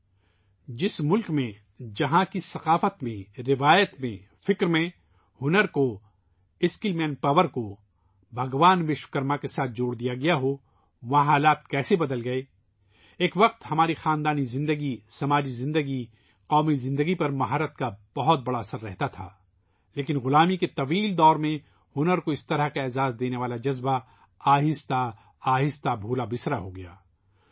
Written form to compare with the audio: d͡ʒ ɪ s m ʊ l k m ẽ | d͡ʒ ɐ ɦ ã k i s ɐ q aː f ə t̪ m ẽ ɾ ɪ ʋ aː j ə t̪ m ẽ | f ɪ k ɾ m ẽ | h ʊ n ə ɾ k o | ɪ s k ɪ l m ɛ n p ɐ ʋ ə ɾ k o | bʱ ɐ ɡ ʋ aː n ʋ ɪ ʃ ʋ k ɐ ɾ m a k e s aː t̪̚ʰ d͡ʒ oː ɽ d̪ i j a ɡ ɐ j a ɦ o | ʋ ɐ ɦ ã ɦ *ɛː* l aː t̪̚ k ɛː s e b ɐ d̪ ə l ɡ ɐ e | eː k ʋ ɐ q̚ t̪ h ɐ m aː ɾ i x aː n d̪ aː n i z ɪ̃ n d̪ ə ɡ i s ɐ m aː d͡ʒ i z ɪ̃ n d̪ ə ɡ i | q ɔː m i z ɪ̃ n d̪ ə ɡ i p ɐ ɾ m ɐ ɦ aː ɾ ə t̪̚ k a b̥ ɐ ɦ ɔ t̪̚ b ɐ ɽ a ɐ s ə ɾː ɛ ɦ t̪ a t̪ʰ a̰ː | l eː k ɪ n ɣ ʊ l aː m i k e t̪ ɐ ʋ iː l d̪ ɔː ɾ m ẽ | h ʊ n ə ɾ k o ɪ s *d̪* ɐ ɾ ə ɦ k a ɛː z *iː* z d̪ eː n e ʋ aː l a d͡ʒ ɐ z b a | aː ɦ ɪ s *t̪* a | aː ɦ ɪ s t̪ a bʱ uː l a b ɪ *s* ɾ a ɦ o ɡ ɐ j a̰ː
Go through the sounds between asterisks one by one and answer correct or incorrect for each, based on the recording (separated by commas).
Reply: incorrect, incorrect, incorrect, correct, correct